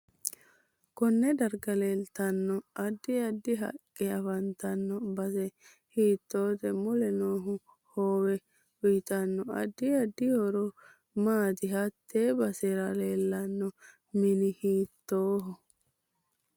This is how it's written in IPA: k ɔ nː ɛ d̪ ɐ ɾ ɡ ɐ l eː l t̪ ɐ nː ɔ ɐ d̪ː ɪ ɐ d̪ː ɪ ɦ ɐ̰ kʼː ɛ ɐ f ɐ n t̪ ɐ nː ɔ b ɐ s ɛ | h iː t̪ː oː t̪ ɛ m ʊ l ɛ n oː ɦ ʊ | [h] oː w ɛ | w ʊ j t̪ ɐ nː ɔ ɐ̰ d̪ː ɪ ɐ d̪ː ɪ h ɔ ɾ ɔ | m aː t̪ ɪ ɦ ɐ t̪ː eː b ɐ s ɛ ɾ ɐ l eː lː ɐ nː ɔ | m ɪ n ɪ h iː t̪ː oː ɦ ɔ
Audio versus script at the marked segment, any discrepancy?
no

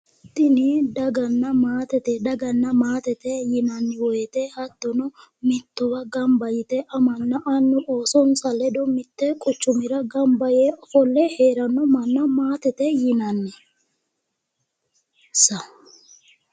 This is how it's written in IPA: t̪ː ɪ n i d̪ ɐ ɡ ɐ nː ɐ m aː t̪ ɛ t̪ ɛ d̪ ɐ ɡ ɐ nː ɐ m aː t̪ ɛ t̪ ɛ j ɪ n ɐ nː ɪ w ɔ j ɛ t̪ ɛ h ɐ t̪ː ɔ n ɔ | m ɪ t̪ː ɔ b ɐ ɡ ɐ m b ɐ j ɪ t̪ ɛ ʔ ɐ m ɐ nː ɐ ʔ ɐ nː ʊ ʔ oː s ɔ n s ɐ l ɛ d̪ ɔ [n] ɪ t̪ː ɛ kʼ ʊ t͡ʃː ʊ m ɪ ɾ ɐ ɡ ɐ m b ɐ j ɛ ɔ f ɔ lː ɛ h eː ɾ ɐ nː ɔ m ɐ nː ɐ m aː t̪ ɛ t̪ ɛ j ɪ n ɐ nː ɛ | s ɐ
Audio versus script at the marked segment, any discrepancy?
yes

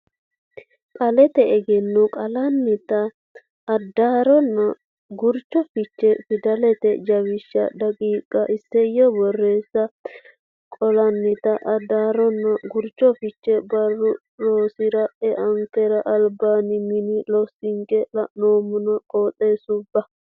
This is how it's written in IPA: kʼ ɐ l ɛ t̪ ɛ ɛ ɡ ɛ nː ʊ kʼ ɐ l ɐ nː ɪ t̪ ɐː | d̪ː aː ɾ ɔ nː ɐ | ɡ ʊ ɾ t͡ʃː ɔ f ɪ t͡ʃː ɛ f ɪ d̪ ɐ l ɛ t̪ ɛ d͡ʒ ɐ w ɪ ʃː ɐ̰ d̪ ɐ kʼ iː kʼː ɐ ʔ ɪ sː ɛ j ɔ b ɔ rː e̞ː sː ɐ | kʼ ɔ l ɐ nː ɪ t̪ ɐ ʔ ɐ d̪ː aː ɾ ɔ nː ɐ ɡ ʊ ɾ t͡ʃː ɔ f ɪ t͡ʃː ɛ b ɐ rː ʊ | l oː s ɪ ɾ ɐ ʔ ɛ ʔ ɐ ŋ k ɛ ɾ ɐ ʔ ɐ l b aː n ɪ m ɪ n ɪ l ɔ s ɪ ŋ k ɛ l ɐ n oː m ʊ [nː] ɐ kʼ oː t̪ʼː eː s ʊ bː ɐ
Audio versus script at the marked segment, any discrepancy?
yes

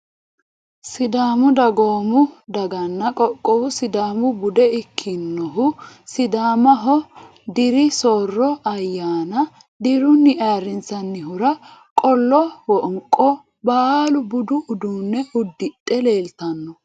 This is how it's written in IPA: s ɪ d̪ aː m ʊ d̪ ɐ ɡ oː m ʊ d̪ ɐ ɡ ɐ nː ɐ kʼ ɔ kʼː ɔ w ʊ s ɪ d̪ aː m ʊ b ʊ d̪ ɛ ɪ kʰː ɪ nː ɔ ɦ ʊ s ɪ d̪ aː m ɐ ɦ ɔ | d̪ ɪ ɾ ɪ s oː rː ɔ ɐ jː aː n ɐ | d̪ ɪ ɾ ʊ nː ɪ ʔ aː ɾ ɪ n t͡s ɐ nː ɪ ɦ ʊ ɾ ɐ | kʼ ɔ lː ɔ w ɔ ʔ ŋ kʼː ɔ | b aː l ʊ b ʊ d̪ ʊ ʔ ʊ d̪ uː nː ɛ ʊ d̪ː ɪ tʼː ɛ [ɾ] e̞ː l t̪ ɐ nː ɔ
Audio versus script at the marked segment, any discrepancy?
yes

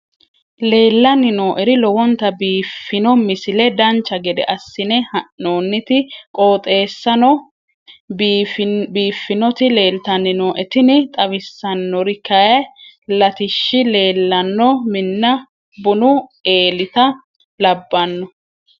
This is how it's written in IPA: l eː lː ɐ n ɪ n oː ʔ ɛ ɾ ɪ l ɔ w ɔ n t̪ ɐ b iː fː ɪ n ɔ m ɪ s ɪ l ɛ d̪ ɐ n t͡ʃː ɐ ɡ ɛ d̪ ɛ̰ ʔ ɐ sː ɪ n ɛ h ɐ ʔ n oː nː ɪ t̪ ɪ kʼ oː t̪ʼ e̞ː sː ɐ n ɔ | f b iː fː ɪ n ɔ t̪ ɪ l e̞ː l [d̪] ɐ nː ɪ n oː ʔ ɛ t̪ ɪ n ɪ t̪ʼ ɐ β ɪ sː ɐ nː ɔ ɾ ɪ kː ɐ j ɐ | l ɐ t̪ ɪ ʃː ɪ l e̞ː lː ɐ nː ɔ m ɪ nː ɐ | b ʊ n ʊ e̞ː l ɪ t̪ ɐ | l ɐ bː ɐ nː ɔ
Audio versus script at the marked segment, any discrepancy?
yes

